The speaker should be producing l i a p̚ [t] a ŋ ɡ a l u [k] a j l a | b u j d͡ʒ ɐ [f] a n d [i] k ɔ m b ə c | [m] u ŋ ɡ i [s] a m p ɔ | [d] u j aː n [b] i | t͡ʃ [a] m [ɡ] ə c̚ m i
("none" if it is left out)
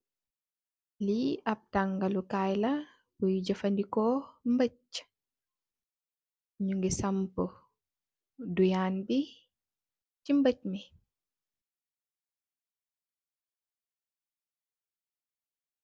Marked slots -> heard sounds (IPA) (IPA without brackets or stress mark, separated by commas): t, k, f, i, ɲ, s, d, b, i, b